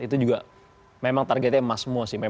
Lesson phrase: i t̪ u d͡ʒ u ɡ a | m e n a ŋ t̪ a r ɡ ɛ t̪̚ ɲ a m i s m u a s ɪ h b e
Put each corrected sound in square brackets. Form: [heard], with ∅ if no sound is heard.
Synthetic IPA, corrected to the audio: i t̪ u d͡ʒ u ɡ a | m e [m] a ŋ t̪ a r ɡ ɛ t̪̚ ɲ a m [a] s m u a s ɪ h [m] e